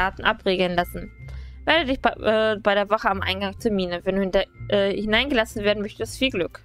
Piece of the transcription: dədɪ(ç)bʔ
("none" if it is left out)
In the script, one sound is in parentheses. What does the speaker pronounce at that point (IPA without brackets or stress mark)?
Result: ç